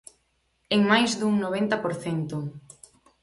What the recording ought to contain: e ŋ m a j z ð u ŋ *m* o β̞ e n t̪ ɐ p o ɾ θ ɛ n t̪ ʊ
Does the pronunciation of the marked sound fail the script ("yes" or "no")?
yes